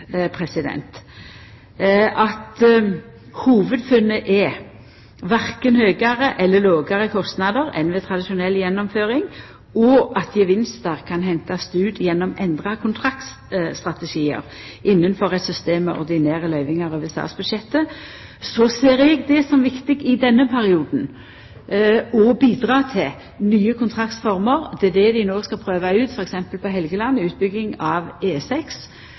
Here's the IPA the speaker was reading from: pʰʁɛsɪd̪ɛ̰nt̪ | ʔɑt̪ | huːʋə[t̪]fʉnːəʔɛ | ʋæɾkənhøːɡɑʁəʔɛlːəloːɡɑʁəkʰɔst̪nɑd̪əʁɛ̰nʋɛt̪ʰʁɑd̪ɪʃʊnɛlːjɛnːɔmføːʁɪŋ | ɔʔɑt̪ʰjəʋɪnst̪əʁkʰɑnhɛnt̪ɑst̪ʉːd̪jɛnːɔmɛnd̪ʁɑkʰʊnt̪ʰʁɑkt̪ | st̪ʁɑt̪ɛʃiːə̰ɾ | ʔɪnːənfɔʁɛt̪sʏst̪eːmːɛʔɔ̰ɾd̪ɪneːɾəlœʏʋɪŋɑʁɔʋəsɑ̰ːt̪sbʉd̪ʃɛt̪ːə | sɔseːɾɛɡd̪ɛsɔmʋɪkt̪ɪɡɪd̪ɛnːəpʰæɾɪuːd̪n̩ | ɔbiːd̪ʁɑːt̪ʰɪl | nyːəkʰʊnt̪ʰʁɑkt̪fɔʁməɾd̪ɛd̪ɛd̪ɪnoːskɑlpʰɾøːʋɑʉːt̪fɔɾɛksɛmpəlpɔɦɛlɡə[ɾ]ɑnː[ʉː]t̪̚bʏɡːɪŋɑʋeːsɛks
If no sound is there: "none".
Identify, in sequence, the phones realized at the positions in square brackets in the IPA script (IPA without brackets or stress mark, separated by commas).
d̪, l, ʉː